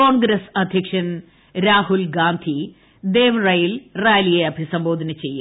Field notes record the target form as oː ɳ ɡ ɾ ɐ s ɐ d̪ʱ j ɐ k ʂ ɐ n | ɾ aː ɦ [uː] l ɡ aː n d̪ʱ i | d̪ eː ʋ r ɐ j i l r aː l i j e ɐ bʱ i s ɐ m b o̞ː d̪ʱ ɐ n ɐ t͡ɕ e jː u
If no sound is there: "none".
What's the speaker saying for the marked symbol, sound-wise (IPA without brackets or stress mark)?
u